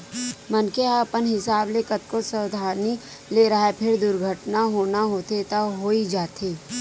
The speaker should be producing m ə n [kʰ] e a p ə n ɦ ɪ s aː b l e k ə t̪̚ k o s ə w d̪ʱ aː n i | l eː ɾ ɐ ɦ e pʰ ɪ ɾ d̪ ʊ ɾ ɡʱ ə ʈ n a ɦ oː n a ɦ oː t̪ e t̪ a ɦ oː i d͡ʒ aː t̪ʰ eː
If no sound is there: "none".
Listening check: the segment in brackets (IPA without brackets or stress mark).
k